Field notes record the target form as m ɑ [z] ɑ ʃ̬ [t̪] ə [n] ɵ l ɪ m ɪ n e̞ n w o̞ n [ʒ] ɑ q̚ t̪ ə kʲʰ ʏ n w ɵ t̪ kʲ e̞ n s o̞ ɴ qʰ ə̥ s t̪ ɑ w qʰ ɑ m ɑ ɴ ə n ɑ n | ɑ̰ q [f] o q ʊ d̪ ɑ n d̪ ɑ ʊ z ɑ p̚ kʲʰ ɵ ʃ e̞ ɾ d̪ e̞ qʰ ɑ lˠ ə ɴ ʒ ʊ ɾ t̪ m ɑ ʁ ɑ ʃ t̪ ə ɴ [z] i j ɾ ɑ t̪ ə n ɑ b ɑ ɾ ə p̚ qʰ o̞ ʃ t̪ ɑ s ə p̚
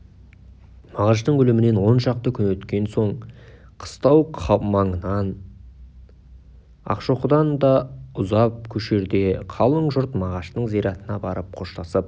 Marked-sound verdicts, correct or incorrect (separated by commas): incorrect, correct, incorrect, incorrect, incorrect, correct